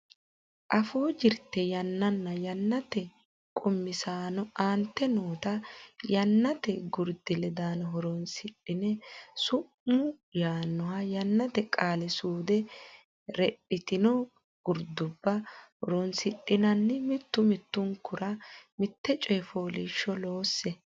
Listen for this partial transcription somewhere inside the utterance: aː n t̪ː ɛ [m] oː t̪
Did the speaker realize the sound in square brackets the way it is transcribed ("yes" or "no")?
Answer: no